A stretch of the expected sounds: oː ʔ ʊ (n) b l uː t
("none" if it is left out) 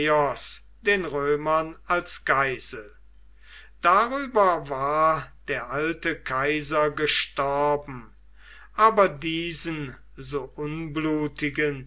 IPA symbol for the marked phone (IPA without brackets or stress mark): n